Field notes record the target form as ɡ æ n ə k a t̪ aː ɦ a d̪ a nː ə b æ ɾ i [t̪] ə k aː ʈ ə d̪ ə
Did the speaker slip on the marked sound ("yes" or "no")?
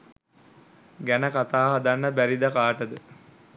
yes